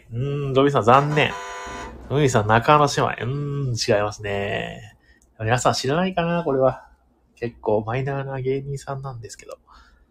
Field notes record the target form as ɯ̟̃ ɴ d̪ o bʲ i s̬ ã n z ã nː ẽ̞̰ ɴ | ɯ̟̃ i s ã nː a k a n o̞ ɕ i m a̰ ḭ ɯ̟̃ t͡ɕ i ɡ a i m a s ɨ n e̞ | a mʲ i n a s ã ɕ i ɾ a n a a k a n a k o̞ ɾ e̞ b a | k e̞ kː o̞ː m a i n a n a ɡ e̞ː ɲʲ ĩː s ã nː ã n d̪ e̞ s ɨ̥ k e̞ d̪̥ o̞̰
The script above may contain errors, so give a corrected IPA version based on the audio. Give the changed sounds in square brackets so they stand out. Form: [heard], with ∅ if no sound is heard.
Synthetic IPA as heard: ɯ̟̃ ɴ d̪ o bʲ i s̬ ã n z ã nː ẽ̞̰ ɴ | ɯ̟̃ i s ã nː a k a n o̞ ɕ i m a̰ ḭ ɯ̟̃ t͡ɕ i ɡ a i m a s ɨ n e̞ | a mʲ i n a s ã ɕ i ɾ a n a [i] k a n a k o̞ ɾ e̞ [β] a | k e̞ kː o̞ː m a i n a n a ɡ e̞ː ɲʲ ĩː s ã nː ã n d̪ e̞ s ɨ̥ k e̞ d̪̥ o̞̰